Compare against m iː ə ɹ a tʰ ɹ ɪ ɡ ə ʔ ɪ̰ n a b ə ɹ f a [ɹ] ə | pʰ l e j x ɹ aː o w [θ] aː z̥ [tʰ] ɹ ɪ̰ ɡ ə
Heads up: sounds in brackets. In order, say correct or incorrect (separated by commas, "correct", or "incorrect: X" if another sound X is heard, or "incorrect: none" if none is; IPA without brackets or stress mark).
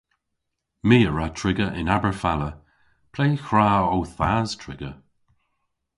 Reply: incorrect: l, correct, correct